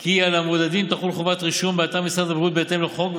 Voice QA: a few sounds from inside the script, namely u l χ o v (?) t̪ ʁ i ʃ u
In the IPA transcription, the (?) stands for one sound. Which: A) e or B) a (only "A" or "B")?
B